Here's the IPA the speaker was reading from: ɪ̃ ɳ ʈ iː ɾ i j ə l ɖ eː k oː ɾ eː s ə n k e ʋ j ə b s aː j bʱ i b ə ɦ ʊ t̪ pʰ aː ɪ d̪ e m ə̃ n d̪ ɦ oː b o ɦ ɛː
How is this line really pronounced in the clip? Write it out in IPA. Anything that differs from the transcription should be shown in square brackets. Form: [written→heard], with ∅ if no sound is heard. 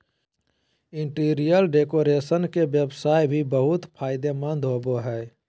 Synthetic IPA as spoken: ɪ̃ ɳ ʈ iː ɾ i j ə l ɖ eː k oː ɾ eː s ə n k e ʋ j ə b s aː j bʱ i b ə ɦ ʊ t̪ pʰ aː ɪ d̪ e m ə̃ n d̪ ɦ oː b o ɦ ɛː